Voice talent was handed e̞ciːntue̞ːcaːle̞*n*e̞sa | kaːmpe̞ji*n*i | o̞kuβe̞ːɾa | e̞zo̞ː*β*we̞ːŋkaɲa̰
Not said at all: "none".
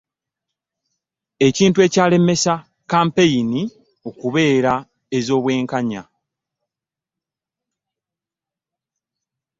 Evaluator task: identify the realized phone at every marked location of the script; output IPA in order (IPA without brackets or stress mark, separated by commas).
m, n, β